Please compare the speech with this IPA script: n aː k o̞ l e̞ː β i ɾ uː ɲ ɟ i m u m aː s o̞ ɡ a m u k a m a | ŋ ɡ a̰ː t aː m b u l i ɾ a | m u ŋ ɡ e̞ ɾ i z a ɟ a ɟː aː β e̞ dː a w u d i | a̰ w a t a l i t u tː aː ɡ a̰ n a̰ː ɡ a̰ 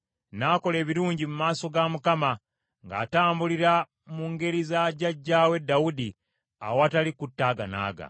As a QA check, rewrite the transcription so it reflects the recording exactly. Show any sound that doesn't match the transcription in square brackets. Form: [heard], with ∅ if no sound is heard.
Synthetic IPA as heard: n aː k o̞ l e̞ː β i ɾ uː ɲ ɟ i m u m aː s o̞ ɡ a m u k a m a | ŋ ɡ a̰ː t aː m b u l i ɾ a | m u ŋ ɡ e̞ ɾ i z a ɟ a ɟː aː [w] e̞ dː a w u d i | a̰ w a t a l i [k] u tː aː ɡ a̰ n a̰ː ɡ a̰